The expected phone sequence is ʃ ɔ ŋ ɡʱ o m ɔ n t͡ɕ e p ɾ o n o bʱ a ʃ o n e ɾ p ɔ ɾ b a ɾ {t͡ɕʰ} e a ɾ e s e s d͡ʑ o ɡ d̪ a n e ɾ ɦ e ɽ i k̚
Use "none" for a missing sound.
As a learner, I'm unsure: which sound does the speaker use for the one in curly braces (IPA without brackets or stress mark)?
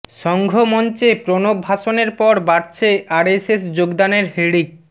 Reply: t͡ɕʰ